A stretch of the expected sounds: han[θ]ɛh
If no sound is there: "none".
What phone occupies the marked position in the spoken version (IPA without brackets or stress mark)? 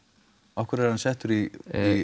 s